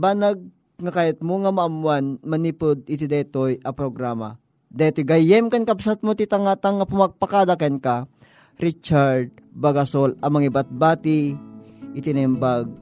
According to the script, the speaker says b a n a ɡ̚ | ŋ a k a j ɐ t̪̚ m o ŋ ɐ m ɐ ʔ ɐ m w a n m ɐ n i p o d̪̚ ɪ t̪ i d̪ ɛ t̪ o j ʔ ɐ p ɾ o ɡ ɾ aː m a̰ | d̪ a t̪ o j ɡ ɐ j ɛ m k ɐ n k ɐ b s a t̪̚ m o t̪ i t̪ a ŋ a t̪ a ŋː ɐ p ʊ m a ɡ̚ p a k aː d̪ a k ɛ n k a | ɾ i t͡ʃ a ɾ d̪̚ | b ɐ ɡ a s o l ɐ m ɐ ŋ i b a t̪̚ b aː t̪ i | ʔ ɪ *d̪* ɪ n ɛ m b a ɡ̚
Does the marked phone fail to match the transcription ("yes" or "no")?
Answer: yes